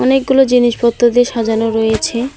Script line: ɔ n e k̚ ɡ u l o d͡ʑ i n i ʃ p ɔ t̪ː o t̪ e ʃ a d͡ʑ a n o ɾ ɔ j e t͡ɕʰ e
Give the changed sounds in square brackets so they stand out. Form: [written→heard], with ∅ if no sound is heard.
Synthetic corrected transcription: ɔ n e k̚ ɡ u l o d͡ʑ i n i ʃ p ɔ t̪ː o [t̪→d̪] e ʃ a d͡ʑ a n o ɾ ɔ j e t͡ɕʰ e